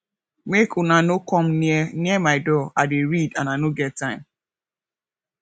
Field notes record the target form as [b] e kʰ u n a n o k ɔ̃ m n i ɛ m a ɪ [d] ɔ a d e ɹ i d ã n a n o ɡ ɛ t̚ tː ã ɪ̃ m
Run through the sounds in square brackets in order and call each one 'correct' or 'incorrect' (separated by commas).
incorrect, correct